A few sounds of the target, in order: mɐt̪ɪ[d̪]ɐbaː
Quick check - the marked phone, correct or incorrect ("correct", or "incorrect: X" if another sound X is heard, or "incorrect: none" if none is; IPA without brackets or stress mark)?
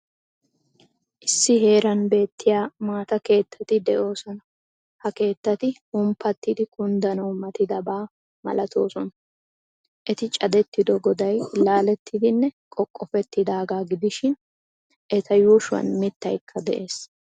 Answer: correct